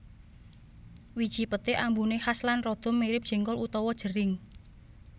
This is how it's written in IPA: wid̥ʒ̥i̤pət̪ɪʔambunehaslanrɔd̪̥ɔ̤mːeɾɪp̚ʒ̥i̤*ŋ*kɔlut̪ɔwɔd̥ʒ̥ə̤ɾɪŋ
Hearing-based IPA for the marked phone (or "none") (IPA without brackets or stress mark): ŋ